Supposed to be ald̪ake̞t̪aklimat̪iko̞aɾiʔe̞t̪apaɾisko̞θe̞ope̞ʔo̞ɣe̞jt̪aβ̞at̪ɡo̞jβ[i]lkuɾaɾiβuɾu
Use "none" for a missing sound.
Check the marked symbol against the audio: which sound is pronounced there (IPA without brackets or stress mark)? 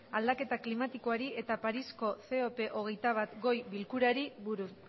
i